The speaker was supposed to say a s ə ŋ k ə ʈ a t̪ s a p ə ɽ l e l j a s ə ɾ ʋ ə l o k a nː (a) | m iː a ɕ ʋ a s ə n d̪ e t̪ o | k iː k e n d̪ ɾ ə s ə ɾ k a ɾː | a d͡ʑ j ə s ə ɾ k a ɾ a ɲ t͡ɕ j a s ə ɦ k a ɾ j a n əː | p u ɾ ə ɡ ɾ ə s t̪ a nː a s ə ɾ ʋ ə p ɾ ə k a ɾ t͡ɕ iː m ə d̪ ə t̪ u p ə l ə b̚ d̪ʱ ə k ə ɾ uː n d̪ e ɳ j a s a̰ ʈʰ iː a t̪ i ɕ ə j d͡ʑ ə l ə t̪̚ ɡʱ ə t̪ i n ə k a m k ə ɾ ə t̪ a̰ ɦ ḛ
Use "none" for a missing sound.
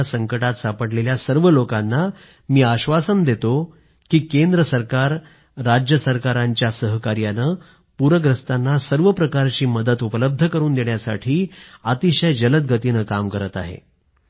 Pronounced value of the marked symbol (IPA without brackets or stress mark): a